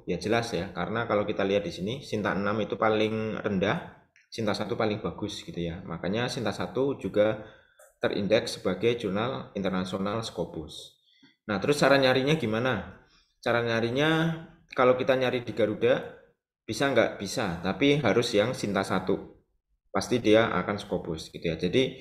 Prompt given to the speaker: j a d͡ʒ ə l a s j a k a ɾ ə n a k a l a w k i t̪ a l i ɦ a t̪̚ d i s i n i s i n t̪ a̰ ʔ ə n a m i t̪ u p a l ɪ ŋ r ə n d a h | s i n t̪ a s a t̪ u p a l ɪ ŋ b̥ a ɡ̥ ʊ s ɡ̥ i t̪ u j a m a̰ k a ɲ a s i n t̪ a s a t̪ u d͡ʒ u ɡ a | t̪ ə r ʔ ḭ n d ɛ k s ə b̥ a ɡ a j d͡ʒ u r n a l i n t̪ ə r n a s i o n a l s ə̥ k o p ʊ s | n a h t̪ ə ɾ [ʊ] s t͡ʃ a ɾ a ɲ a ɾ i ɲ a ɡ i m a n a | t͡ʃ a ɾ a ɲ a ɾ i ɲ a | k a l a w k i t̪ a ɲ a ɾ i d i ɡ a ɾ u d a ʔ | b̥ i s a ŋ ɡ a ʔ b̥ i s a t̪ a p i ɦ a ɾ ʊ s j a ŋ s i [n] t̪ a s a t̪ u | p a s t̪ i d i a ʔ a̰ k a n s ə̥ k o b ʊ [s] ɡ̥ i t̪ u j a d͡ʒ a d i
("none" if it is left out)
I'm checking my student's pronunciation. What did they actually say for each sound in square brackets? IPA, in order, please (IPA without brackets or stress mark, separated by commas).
ʊ, n, s